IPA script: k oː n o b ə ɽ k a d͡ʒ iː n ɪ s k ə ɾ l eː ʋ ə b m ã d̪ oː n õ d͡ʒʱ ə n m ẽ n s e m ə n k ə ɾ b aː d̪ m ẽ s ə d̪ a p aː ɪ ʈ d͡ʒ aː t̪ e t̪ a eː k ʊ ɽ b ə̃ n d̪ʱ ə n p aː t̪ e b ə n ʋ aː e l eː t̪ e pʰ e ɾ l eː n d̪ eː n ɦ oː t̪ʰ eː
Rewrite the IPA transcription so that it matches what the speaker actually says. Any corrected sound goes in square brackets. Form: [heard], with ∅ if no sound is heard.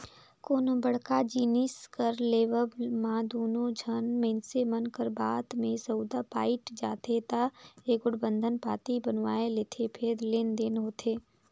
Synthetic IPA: k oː n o b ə ɽ k a d͡ʒ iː n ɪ s k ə ɾ l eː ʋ ə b m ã d̪ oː n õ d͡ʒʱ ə n m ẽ n s e m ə n k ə ɾ b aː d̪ m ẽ s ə d̪ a p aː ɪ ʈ d͡ʒ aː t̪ e t̪ a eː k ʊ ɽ b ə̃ n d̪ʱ ə n p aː t̪ [i] b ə n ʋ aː e l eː [t̪ʰ] e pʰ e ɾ l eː n d̪ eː n ɦ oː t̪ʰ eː

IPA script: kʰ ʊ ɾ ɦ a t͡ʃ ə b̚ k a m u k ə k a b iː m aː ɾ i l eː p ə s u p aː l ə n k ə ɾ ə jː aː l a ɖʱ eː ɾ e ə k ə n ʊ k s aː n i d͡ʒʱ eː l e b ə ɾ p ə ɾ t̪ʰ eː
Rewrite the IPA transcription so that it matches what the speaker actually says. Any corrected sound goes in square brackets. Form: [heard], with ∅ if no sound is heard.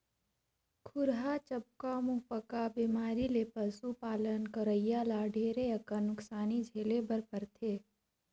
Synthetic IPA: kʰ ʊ ɾ ɦ a t͡ʃ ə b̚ k a m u [p] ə k a b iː m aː ɾ i l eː p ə s u p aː l ə n k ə ɾ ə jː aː l a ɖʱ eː ɾ e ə k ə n ʊ k s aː n i d͡ʒʱ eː l e b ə ɾ p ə ɾ t̪ʰ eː

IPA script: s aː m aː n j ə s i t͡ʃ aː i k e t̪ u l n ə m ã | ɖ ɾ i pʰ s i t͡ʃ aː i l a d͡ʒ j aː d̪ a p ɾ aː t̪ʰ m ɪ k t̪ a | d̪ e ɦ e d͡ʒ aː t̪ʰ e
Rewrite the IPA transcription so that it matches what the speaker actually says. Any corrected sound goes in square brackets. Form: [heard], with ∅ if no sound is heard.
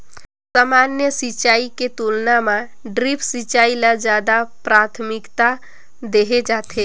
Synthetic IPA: s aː m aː n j ə s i t͡ʃ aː i k e t̪ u l n [a] m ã | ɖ ɾ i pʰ s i t͡ʃ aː i l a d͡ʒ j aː d̪ a p ɾ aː t̪ʰ m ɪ k t̪ a | d̪ e ɦ e d͡ʒ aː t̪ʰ e

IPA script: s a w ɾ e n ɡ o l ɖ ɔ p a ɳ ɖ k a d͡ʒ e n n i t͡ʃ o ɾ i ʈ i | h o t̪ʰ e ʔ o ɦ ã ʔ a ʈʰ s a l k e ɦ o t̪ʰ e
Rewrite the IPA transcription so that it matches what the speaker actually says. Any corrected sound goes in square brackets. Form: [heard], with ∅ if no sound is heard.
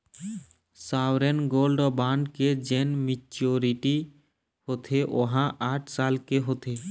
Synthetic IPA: s a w ɾ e n ɡ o l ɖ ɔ [b] a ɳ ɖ k [e] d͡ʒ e n [m] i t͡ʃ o ɾ i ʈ i | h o t̪ʰ e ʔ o ɦ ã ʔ a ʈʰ s a l k e ɦ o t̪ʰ e

